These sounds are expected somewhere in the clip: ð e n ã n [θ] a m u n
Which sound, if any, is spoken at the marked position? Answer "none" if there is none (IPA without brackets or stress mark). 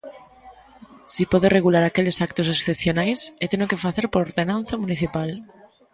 θ